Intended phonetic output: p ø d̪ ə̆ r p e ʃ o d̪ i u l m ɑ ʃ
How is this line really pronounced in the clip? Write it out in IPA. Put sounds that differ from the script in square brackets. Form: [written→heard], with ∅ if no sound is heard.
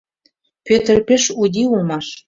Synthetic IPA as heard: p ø [d̪→t̪] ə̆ r p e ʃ [o→u] d̪ i u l m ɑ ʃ